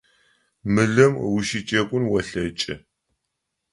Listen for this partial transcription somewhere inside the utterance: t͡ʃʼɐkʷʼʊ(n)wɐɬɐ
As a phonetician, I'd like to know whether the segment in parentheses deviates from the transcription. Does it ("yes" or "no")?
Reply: no